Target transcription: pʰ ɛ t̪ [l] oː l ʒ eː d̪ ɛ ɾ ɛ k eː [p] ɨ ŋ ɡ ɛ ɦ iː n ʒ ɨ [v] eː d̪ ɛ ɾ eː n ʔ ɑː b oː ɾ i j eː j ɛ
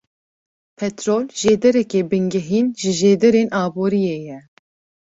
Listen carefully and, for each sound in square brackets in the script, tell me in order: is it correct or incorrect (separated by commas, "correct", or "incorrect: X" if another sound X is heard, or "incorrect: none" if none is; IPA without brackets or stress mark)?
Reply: incorrect: ɾ, incorrect: b, incorrect: ʒ